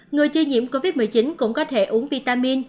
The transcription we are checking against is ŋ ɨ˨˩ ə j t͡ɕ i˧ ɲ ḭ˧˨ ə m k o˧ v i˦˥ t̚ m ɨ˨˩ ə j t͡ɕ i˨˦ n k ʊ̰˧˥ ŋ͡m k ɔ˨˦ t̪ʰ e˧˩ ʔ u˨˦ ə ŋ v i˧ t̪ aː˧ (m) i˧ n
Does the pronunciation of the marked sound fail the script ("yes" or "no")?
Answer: no